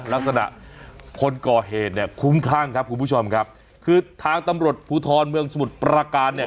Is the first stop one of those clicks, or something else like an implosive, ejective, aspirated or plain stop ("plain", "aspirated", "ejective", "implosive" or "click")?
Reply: plain